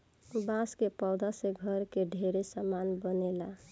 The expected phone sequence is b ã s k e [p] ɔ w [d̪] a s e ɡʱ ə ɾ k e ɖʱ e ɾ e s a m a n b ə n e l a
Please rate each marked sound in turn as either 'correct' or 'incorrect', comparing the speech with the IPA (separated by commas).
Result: correct, correct